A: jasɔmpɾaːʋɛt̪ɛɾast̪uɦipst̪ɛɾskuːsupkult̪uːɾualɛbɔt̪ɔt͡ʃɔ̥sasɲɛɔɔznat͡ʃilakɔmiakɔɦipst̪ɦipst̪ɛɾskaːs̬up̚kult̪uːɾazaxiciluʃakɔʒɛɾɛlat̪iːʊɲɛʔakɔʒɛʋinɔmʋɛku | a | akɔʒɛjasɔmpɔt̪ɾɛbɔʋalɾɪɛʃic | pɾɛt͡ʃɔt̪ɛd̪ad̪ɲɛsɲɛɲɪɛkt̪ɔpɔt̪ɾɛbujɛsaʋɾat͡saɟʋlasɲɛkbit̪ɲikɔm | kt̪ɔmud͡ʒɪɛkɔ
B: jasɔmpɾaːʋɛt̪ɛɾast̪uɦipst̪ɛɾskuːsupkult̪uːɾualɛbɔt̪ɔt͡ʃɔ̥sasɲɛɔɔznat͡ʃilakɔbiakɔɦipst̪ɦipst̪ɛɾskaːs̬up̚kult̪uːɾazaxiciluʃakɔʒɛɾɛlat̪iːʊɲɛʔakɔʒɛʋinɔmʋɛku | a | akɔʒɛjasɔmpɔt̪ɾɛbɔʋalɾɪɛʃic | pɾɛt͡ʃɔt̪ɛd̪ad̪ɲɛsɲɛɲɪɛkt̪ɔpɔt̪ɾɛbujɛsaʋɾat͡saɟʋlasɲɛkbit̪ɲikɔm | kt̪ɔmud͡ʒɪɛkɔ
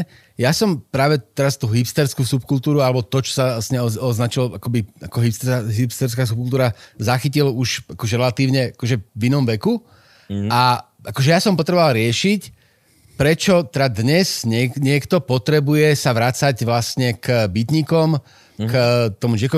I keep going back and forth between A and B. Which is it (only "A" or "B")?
B